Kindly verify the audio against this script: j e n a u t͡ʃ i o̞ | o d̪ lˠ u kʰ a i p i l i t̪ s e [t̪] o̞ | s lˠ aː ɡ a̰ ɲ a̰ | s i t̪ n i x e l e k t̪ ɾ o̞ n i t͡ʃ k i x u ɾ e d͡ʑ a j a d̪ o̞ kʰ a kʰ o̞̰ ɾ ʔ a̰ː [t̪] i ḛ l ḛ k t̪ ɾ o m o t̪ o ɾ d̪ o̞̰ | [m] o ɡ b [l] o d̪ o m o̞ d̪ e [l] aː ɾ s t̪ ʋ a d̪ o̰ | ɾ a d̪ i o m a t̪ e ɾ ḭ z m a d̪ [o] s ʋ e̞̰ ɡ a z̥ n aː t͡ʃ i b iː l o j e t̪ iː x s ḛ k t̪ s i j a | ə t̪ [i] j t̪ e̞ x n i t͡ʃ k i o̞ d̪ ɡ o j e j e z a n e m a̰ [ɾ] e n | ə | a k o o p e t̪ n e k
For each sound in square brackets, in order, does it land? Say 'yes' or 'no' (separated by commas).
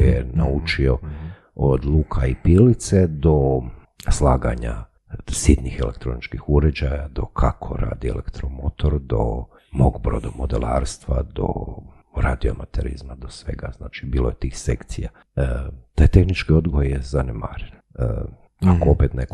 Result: no, no, yes, no, yes, yes, no, yes